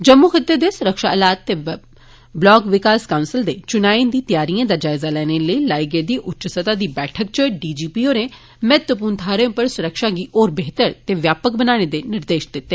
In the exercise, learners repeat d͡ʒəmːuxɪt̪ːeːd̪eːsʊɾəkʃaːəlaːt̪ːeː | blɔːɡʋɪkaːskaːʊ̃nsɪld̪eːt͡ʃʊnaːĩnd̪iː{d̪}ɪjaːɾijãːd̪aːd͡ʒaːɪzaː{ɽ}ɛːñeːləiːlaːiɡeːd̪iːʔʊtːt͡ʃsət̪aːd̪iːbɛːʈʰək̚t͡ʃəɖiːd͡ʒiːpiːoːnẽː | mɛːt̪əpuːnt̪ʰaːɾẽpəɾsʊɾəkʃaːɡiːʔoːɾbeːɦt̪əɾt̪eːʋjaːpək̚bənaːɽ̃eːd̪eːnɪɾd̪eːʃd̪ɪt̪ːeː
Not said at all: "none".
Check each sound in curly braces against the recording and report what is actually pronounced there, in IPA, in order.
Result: t̪, l

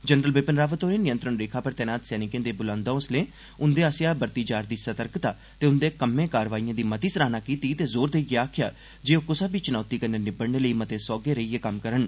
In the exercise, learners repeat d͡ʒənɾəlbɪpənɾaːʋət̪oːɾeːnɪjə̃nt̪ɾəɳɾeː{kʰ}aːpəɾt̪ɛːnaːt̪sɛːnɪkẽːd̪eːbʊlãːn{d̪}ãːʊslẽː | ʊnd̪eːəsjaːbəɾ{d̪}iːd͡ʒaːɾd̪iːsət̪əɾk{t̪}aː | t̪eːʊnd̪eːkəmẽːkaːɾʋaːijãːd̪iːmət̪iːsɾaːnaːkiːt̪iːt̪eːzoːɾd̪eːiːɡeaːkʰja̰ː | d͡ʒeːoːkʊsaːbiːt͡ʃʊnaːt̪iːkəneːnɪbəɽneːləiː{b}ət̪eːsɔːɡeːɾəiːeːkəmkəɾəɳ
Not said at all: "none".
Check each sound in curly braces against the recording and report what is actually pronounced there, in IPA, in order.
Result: kʰ, d̪, t̪, t̪, m

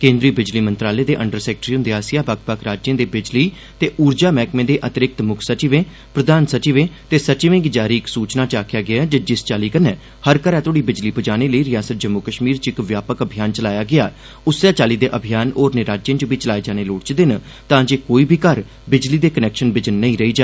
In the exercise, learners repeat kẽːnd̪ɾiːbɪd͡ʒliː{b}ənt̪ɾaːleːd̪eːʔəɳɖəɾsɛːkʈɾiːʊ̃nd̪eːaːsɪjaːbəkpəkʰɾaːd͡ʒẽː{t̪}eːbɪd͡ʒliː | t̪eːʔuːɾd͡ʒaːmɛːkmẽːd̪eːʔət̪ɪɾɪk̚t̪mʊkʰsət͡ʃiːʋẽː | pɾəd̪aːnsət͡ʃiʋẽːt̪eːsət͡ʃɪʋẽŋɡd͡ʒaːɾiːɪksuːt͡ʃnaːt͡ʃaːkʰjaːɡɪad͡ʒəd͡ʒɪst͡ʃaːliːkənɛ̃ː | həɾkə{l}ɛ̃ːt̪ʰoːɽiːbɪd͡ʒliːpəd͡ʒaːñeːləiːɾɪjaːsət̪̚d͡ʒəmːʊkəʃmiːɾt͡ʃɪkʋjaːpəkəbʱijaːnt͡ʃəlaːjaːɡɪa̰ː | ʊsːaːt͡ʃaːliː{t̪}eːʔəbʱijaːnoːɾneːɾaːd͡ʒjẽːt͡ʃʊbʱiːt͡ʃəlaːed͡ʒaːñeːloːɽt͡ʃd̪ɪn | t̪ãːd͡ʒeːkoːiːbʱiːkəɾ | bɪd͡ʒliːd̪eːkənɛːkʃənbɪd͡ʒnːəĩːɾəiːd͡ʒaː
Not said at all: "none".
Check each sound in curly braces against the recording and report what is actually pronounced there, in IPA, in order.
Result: m, d̪, ɾ, d̪

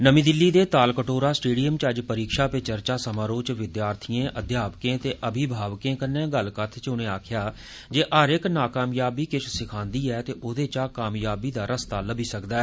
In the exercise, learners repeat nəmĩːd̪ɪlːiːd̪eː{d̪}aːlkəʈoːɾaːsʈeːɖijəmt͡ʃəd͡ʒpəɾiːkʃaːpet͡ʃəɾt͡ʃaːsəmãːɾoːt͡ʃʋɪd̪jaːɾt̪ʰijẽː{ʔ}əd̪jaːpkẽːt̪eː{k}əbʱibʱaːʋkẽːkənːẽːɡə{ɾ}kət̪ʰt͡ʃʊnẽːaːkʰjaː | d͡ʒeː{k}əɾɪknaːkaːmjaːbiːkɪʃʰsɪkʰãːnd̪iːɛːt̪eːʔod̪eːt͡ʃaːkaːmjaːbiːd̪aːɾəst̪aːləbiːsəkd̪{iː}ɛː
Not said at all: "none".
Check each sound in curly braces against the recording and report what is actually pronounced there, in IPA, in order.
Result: t̪, ʔ, ʔ, l, ʔ, aː

